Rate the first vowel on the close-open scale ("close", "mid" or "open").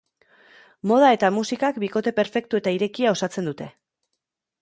mid